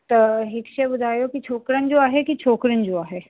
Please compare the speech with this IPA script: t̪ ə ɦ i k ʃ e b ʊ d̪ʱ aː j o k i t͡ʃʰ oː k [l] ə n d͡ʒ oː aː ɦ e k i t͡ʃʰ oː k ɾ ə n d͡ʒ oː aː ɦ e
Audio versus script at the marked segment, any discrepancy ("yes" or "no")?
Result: yes